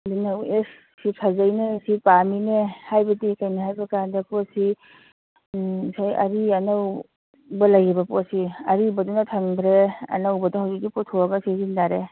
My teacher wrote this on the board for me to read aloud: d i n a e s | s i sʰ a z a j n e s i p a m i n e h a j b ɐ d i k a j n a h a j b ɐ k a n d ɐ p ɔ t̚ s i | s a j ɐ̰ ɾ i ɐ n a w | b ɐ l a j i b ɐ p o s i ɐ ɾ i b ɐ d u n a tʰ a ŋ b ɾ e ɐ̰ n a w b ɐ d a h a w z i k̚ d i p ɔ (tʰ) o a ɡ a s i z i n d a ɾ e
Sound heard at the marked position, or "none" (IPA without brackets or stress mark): tʰ